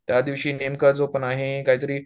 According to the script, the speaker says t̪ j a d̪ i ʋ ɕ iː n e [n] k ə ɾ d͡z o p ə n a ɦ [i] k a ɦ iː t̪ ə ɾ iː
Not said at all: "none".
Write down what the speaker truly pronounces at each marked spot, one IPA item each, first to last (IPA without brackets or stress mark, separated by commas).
m, e